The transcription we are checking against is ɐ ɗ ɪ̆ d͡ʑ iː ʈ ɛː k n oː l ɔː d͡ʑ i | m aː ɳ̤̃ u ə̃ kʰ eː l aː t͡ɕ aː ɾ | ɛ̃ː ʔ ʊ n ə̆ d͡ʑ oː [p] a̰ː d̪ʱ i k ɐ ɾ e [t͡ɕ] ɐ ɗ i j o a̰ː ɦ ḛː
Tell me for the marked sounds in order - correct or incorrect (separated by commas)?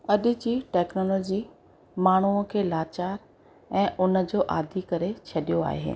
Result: incorrect, incorrect